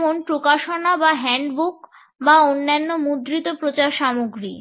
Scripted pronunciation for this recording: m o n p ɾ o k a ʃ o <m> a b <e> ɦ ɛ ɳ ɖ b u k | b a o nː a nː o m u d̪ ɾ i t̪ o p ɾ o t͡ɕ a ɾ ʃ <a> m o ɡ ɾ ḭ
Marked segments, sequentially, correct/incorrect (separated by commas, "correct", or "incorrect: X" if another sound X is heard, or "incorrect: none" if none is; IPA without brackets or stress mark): incorrect: n, incorrect: a, correct